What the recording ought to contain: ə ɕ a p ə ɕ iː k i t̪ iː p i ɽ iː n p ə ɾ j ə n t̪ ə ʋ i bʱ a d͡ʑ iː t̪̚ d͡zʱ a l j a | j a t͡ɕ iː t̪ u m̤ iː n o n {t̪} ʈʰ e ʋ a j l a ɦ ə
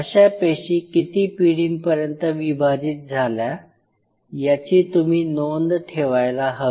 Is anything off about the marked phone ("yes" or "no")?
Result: yes